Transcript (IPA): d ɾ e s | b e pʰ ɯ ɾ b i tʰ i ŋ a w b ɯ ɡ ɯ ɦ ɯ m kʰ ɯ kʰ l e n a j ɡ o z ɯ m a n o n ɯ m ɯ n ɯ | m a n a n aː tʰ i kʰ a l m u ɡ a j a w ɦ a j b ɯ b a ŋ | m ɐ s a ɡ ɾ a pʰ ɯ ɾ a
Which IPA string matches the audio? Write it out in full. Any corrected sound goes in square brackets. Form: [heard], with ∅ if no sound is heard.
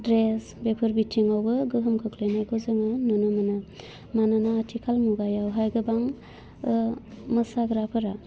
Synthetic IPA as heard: d ɾ e s | b e pʰ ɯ ɾ b i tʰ i ŋ a w b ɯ ɡ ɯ ɦ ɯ m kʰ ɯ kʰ l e n a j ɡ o z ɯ [ŋ] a n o n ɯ m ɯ n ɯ | m a n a n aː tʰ i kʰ a l m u ɡ a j a w ɦ a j [ɡ] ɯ b a ŋ | m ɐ s a ɡ ɾ a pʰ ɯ ɾ a